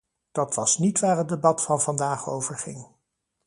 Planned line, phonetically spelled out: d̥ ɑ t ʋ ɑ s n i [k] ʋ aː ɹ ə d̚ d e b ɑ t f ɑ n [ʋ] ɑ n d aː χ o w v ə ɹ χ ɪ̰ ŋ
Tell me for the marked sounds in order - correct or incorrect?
incorrect: t, incorrect: v

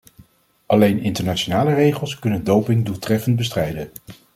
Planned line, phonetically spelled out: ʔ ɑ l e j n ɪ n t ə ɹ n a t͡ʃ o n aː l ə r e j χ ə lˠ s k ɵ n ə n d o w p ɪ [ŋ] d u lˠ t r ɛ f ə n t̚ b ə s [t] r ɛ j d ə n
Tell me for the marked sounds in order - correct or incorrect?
correct, correct

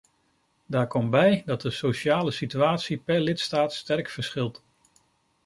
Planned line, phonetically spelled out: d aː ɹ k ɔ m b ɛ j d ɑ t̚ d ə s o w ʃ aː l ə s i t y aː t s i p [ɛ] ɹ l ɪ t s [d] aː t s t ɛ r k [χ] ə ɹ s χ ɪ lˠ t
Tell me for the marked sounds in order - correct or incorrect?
correct, incorrect: t, incorrect: f

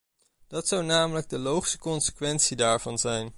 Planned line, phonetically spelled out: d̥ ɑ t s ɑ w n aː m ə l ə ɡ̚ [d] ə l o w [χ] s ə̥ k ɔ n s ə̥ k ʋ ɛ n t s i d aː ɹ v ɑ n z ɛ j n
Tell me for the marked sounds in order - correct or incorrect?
correct, correct

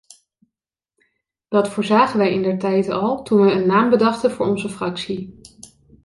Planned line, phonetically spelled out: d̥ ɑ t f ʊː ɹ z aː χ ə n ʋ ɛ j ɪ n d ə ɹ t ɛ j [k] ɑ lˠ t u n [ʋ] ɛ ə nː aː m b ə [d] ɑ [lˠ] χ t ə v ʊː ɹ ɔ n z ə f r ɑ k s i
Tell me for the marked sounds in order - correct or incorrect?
incorrect: t, correct, correct, incorrect: none

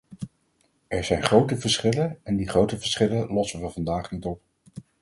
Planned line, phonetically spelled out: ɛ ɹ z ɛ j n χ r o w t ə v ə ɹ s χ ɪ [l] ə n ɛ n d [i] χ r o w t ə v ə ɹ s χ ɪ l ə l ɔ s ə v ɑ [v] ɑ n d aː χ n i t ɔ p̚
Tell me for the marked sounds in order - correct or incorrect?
correct, correct, correct

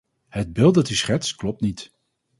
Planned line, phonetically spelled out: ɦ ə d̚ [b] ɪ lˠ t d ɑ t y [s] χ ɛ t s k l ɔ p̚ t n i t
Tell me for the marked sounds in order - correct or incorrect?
correct, correct

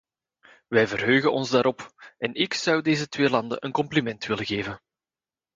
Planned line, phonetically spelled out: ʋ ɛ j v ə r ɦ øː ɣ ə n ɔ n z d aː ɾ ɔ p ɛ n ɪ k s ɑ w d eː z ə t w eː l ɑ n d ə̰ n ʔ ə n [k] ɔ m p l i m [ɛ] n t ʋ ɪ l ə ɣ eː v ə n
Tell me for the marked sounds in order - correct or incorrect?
correct, correct

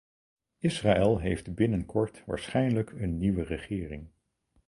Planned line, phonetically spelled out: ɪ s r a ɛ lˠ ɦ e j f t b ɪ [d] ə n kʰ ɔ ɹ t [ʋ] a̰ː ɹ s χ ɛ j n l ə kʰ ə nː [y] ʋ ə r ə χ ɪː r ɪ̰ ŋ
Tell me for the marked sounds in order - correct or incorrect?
incorrect: n, correct, incorrect: i

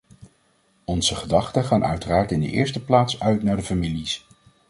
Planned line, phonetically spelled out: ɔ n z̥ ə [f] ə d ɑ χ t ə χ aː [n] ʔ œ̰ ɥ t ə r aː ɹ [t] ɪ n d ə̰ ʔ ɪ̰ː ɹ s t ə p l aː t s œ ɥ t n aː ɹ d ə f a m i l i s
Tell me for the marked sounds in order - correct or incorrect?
incorrect: χ, correct, correct

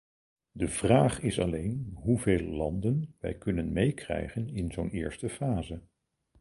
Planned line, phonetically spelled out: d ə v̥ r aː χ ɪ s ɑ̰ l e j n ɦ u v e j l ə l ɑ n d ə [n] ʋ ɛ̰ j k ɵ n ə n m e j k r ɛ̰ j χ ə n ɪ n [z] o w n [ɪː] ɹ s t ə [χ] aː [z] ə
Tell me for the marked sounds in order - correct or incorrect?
correct, correct, correct, incorrect: f, correct

